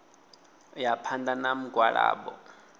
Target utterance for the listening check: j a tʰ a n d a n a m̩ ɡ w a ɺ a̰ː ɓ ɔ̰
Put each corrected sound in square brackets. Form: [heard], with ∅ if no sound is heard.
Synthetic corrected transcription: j a [pʰ] a n d a n a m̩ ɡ w a ɺ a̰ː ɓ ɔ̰